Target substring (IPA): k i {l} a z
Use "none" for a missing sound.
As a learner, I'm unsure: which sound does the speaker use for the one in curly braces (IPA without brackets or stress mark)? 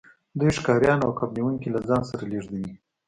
l